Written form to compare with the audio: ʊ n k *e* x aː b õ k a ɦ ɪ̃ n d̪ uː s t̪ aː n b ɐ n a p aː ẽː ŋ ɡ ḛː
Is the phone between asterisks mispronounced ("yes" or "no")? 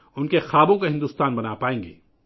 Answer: no